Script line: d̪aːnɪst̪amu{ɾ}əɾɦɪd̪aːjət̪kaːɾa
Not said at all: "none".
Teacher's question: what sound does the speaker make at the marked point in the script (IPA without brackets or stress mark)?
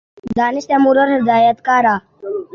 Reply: ɾ